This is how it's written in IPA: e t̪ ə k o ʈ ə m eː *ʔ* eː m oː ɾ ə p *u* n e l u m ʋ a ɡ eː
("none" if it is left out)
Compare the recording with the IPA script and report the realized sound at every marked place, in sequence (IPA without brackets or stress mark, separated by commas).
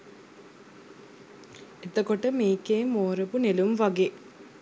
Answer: k, u